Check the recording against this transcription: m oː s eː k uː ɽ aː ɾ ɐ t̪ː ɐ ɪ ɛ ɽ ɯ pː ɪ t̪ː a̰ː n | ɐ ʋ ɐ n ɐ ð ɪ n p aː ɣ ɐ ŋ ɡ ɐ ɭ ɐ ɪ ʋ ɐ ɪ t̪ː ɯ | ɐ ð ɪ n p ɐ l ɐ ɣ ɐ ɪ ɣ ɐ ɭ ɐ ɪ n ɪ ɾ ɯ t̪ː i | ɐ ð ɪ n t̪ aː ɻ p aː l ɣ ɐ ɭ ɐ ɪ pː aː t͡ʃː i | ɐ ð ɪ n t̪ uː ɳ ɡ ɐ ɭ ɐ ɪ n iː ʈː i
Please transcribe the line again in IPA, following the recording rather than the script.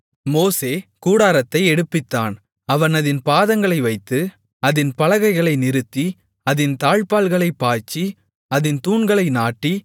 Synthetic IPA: m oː s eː k uː ɽ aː ɾ ɐ t̪ː ɐ ɪ ɛ ɽ ɯ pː ɪ t̪ː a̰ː n | ɐ ʋ ɐ n ɐ ð ɪ n p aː ð ɐ ŋ ɡ ɐ ɭ ɐ ɪ ʋ ɐ ɪ t̪ː ɯ | ɐ ð ɪ n p ɐ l ɐ ɣ ɐ ɪ ɣ ɐ ɭ ɐ ɪ n ɪ ɾ ɯ t̪ː i | ɐ ð ɪ n t̪ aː ɻ p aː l ɣ ɐ ɭ ɐ ɪ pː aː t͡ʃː i | ɐ ð ɪ n t̪ uː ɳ ɡ ɐ ɭ ɐ ɪ n aː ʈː i